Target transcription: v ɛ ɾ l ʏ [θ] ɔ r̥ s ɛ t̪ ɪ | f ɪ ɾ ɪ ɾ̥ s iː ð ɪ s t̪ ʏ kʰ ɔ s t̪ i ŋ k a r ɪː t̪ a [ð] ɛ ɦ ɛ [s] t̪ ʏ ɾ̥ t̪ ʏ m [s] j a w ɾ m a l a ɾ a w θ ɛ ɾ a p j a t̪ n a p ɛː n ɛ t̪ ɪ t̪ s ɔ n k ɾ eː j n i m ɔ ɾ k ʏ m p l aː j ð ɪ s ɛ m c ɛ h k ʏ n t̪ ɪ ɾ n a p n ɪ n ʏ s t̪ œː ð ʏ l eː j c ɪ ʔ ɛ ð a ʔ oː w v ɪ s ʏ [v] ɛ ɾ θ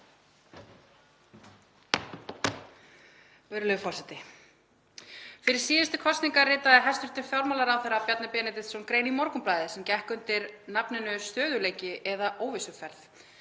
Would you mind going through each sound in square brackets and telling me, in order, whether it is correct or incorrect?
incorrect, correct, correct, incorrect, incorrect

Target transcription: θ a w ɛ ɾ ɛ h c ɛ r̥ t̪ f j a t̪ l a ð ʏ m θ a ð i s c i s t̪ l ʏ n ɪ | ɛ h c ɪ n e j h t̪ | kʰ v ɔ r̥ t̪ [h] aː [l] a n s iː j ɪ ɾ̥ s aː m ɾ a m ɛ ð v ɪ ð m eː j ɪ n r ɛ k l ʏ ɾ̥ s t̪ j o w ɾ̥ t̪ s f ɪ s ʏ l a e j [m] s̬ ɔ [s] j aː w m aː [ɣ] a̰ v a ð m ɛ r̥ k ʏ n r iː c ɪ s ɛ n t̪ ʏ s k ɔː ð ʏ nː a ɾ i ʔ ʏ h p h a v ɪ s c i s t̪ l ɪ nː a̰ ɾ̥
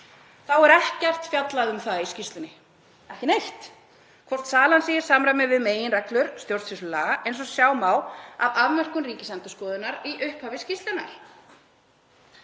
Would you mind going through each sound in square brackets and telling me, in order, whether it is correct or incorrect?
incorrect, correct, incorrect, correct, incorrect

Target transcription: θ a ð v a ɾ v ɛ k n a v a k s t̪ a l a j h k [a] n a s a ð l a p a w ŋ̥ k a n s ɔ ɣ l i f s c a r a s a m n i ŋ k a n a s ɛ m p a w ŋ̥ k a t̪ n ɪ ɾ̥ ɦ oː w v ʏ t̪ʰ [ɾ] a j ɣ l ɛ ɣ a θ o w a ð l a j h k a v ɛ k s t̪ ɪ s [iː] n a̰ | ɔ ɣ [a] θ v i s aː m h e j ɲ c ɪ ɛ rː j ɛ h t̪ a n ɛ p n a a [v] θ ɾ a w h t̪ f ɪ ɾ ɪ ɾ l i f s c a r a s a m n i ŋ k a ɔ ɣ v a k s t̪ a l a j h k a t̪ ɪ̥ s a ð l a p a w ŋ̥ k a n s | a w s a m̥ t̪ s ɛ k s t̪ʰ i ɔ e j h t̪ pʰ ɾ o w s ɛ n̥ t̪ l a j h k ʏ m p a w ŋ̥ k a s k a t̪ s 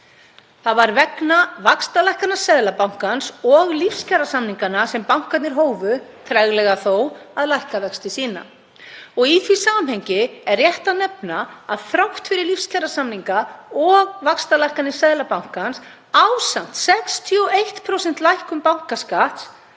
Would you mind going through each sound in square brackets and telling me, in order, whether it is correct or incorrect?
correct, correct, correct, incorrect, incorrect

